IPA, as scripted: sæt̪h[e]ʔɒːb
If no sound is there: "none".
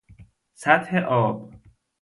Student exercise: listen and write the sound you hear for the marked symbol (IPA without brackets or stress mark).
e